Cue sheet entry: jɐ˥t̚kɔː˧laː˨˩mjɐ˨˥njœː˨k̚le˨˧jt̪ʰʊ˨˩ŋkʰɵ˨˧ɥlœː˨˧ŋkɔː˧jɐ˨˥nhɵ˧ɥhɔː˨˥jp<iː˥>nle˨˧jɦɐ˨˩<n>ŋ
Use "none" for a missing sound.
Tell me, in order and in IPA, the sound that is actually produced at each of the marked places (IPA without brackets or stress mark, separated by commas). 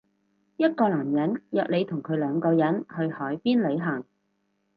iː˥, none